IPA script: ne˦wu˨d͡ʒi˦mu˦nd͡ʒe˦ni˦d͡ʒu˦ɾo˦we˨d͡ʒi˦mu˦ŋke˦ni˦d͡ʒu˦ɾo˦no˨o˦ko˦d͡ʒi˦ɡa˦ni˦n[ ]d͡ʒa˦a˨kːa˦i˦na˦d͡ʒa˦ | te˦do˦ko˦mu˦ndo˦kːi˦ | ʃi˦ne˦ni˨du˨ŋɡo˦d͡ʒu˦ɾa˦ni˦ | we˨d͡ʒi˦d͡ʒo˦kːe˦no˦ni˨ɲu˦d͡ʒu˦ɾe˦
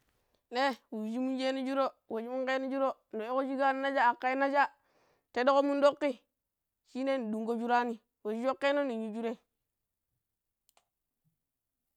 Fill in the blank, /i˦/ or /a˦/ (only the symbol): a˦